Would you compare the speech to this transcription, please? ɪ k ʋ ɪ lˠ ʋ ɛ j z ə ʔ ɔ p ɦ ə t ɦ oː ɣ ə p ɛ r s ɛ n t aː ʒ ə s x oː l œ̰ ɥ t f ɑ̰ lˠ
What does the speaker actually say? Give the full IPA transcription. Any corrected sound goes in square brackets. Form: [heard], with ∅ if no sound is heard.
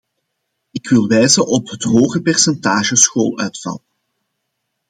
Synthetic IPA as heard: ɪ k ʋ ɪ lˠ ʋ ɛ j z ə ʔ ɔ p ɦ ə t ɦ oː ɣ ə p ɛ r s ɛ n t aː ʒ ə s x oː l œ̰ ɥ t f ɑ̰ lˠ